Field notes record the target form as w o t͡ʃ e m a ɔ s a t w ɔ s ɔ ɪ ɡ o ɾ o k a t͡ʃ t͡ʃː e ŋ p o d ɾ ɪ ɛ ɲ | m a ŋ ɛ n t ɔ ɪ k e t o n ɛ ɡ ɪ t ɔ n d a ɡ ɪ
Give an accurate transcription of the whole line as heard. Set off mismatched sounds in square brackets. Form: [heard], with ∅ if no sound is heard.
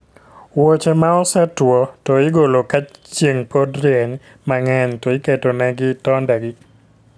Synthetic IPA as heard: w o t͡ʃ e m a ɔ s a t w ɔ [t] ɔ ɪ ɡ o [l] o k a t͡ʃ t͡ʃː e ŋ p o d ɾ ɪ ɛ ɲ | m a ŋ ɛ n t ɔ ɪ k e t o n ɛ ɡ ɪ t ɔ n d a ɡ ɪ